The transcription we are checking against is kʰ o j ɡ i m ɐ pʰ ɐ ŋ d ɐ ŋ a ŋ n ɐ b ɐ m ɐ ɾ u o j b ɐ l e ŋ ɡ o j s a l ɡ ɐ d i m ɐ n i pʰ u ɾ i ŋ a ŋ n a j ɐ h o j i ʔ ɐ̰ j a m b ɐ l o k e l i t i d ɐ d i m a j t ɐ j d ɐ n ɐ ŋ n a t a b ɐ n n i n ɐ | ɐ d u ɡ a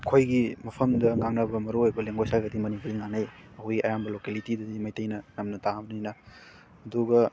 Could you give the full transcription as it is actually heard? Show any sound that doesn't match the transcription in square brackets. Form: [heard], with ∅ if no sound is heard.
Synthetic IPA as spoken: kʰ o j ɡ i m ɐ pʰ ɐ [m] d ɐ ŋ a ŋ n ɐ b ɐ m ɐ ɾ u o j b ɐ l e ŋ ɡ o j s a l ɡ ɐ d i m ɐ n i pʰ u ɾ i ŋ a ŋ n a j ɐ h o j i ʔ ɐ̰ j a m b ɐ l o k e l i t i d ɐ d i m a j t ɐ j [n] ɐ n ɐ [m] n [ɐ] t a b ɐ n n i n ɐ | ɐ d u ɡ [ɐ]